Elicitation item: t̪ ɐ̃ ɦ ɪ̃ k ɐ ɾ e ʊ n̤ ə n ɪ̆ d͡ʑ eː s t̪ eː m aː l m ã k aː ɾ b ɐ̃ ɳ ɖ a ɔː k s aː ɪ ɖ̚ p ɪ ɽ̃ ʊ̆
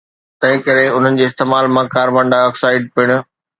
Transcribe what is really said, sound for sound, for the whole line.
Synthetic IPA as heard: t̪ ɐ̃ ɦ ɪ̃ k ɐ ɾ e ʊ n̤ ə n ɪ̆ d͡ʑ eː s t̪ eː m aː l m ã k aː ɾ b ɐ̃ ɳ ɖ a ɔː k s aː ɪ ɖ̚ p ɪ ɽ̃ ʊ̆

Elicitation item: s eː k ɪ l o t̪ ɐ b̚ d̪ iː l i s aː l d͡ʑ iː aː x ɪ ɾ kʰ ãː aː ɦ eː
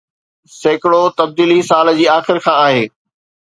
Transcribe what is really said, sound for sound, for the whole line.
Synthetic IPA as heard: s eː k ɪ ɽ o t̪ ɐ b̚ d̪ iː l i s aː l d͡ʑ iː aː x ɪ ɾ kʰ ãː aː ɦ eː

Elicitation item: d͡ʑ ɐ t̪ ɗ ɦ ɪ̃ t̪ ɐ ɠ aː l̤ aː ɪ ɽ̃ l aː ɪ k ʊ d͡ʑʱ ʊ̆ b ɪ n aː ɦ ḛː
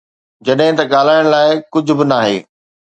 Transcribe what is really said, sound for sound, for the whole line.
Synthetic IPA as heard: d͡ʑ ɐ ɗ ɦ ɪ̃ t̪ ɐ ɠ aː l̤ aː ɪ ɽ̃ l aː ɪ k ʊ d͡ʑʱ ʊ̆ b ɪ n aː ɦ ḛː

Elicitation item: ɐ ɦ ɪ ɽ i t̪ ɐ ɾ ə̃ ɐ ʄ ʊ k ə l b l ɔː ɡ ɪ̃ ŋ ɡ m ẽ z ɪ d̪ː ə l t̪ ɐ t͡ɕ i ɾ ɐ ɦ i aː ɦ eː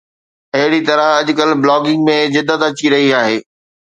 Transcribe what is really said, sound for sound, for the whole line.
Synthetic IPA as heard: ɐ ɦ ɪ ɽ i t̪ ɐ ɾ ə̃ ɐ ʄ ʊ k ə l b l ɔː ɡ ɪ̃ ŋ ɡ m ẽ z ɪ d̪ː ə t̪ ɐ t͡ɕ i ɾ ɐ ɦ i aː ɦ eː

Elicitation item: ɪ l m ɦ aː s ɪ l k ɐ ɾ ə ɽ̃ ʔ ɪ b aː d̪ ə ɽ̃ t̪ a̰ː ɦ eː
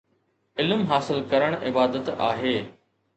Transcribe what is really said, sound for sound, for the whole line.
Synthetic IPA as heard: ɪ l m ɦ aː s ɪ l k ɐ ɾ ə ɽ̃ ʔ ɪ b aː d̪ ə t̪ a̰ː ɦ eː

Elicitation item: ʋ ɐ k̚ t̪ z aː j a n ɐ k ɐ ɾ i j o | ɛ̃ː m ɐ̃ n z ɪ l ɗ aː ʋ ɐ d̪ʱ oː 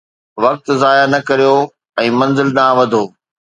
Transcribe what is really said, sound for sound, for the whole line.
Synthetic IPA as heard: ʋ ɐ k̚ t̪ z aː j a n ɐ k ɐ ɾ i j o | ɛ̃ː m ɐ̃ n z ɪ l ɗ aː ʋ ɐ d̪ʱ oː

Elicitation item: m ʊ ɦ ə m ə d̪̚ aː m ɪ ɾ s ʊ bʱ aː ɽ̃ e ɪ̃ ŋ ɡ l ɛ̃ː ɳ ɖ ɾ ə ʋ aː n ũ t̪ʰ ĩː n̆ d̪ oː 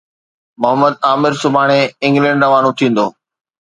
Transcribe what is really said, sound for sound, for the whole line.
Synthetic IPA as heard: m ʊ ɦ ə m ə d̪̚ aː m ɪ ɾ s ʊ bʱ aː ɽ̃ e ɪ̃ ŋ ɡ l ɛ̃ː ɳ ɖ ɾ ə ʋ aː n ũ t̪ʰ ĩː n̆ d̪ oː

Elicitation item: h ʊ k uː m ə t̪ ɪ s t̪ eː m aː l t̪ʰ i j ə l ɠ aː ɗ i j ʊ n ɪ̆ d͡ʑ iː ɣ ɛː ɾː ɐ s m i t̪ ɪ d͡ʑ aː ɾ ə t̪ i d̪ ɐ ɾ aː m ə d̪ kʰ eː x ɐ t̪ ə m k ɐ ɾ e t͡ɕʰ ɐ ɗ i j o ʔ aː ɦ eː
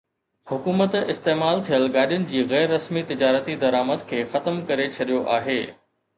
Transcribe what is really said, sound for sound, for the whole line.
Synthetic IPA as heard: h ʊ k uː m ə t̪ ɪ s t̪ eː m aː l t̪ʰ i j ə l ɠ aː ɗ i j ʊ n ɪ̆ d͡ʑ iː ɣ ɛː ɾː ɐ s m i t̪ ɪ d͡ʑ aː ɾ ə t̪ i d̪ ɐ ɾ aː m ə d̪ kʰ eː x ɐ t̪ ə m k ɐ ɾ e t͡ɕʰ ɐ ɗ i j o ʔ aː ɦ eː

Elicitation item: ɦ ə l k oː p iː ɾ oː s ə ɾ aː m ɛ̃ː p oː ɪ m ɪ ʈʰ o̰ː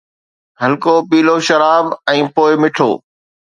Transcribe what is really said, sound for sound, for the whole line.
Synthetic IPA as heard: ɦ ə l k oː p iː l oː ʃ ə ɾ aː b ɛ̃ː p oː ɪ m ɪ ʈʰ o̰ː

